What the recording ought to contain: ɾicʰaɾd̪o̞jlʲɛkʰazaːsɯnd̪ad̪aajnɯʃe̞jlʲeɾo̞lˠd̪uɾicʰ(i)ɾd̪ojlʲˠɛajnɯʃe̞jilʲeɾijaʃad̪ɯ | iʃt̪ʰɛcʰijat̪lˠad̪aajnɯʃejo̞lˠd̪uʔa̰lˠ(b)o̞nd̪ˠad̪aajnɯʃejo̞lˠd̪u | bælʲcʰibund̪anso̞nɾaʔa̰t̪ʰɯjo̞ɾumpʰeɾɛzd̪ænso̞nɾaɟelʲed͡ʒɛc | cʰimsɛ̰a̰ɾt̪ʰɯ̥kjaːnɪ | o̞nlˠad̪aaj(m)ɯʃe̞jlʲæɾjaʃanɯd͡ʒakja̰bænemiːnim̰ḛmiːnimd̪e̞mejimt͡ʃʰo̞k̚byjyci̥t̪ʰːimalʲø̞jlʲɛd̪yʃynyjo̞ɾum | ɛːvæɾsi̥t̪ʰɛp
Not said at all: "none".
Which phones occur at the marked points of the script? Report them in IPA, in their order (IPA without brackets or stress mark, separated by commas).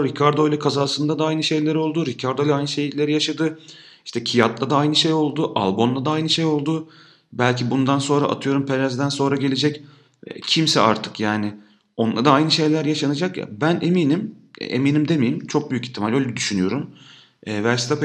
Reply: a, b, n